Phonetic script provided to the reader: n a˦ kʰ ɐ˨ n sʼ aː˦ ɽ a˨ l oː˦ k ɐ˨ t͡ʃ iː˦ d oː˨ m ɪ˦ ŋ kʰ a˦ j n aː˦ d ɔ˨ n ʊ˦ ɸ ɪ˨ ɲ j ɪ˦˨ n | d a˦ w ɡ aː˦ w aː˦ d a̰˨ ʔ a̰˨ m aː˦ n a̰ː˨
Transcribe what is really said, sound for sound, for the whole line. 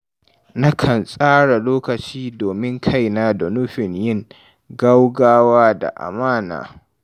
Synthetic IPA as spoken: n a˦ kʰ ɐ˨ n sʼ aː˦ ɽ a˨ l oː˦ k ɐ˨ t͡ʃ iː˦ d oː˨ m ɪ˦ ŋ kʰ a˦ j n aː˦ d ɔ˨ n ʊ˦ ɸ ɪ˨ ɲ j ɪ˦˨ ŋ | ɡ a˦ w ɡ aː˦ w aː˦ d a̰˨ ʔ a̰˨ m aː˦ n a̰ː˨

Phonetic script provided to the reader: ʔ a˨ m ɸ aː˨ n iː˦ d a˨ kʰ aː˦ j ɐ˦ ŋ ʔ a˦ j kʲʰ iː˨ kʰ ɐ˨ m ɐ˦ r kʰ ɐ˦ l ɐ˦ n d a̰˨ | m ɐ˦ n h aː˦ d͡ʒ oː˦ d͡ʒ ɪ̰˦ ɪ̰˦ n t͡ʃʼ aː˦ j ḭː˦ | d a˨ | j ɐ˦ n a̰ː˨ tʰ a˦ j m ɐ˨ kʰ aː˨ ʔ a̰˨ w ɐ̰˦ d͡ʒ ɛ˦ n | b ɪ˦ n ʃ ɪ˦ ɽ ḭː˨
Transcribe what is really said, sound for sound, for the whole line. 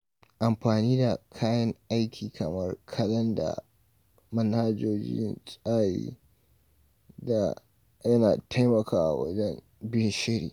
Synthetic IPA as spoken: ʔ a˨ m ɸ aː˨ n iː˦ d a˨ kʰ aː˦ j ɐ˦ ŋ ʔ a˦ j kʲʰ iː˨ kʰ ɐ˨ m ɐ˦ r kʰ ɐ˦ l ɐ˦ n d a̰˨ | m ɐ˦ n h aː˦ d͡ʒ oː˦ d͡ʒ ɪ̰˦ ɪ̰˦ n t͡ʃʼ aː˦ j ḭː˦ | d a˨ | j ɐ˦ n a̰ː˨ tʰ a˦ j m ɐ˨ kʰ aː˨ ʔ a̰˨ w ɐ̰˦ d͡ʒ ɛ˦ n | b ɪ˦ n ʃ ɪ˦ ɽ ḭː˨

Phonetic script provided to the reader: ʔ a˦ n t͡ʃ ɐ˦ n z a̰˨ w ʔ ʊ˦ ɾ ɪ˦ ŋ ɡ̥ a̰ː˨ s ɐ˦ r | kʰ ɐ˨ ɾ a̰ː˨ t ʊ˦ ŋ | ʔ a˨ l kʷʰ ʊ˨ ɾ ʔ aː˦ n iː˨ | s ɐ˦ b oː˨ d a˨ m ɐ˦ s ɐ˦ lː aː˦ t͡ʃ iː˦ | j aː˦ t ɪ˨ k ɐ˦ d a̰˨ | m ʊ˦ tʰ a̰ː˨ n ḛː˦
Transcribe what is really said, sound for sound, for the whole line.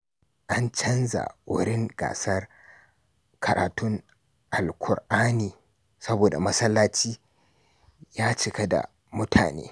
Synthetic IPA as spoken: ʔ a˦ n t͡ʃ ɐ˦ n z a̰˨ w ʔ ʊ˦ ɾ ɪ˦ ŋ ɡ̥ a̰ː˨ s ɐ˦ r | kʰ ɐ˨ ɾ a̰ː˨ t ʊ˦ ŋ | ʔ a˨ l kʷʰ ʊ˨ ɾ ʔ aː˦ n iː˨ | s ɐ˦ b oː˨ d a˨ m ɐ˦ s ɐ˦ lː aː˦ t͡ʃ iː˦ | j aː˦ t͡ʃ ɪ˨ k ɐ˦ d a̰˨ | m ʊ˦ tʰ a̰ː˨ n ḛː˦

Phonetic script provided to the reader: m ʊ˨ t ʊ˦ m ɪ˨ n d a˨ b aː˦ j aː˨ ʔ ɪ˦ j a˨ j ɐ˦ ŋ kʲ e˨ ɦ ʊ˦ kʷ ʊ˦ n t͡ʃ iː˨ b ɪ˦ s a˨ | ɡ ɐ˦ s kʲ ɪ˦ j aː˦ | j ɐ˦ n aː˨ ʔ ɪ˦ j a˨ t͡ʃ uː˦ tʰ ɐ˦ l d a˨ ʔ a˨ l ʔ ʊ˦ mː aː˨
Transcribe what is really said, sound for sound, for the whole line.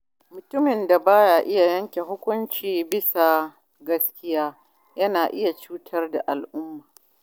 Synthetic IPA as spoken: m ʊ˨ t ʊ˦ m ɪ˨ n d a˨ b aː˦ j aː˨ ʔ ɪ˦ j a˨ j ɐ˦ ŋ kʲ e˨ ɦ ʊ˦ kʷ ʊ˦ n t͡ʃ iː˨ b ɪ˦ s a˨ | ɡ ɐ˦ s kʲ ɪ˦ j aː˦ | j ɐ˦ n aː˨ ʔ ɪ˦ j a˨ t͡ʃ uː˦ tʰ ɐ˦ r d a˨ ʔ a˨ l ʔ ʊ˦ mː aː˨

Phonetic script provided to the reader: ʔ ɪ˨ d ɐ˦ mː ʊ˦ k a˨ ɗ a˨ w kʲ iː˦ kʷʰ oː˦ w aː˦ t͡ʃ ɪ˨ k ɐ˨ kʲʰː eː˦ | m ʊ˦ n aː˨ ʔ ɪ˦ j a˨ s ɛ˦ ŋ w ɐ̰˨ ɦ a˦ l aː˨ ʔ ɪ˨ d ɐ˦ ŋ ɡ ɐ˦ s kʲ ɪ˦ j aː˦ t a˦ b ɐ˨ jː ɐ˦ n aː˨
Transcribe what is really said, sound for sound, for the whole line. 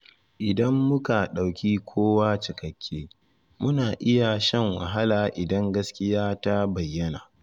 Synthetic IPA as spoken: ʔ ɪ˨ d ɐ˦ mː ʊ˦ k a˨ ɗ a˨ w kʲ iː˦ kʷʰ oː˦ w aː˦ t͡ʃ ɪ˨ k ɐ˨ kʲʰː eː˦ | m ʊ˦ n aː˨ ʔ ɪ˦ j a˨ ʃ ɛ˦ ŋ w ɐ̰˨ ɦ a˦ l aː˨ ʔ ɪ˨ d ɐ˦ ŋ ɡ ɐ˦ s kʲ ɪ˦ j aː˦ t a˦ b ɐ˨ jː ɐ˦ n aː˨

